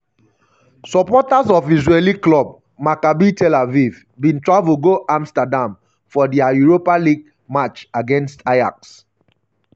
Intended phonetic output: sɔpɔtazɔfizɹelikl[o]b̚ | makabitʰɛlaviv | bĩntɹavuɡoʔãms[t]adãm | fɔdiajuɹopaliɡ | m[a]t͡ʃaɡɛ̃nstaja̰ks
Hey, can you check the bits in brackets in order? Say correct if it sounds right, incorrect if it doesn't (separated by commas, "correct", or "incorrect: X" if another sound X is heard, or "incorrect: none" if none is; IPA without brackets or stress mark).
incorrect: ɔ, correct, correct